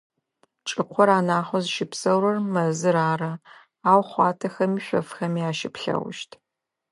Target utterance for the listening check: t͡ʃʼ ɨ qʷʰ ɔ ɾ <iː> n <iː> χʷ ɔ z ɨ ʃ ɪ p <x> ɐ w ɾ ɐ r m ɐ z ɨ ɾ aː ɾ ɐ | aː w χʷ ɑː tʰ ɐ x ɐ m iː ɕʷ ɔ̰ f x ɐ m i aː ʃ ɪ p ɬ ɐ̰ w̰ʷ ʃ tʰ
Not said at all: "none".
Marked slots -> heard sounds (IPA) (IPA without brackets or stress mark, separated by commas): aː, aː, s